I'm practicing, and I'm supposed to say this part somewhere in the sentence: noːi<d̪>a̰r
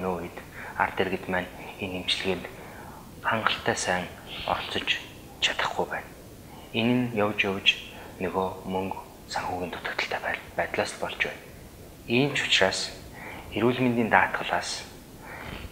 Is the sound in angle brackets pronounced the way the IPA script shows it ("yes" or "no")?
no